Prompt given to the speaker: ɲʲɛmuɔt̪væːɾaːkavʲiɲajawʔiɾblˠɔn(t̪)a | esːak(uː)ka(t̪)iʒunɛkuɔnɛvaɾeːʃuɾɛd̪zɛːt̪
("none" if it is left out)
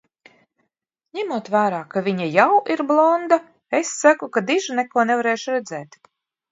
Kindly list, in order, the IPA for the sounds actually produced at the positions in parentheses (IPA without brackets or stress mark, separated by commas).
d̪, u, d̪